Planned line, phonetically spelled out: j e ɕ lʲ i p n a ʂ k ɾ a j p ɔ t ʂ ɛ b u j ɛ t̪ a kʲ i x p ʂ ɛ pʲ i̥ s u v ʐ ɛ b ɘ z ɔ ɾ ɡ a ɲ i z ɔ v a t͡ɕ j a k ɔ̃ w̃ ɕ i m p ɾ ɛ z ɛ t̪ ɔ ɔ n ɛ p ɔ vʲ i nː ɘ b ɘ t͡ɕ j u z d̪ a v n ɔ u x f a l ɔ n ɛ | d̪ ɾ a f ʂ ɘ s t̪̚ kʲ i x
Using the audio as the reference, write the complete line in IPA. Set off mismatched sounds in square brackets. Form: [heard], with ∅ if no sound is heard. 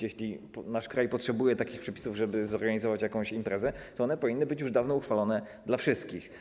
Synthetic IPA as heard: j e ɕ lʲ i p n a ʂ k ɾ a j p ɔ t ʂ ɛ b u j ɛ t̪ a kʲ i x p ʂ ɛ pʲ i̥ s u v ʐ ɛ b ɘ z ɔ ɾ ɡ a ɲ i z ɔ v a t͡ɕ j a k ɔ̃ w̃ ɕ i m p ɾ ɛ z ɛ t̪ ɔ ɔ n ɛ p ɔ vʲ i nː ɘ b ɘ t͡ɕ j u [ʐ] d̪ a v n ɔ u x f a l ɔ n ɛ | d̪ [l] a f ʂ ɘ s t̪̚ kʲ i x